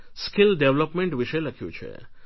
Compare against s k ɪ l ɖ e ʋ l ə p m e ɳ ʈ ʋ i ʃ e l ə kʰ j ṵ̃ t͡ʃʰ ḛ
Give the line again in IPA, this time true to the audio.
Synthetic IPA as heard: s k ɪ l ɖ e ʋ l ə p m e ɳ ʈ ʋ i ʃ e l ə kʰ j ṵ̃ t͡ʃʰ ḛ